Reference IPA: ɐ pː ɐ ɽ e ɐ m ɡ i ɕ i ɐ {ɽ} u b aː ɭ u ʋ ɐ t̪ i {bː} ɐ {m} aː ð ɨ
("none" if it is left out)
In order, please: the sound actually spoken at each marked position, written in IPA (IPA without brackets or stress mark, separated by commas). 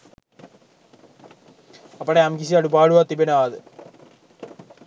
ɽ, b, n